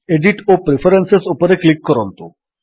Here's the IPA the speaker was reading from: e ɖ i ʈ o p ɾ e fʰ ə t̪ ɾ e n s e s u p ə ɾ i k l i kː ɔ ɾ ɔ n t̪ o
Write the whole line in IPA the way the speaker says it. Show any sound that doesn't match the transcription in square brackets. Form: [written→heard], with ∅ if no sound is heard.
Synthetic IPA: e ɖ i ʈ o p ɾ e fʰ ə [t̪→∅] ɾ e n s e s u p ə ɾ [i→e] k l i kː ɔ ɾ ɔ n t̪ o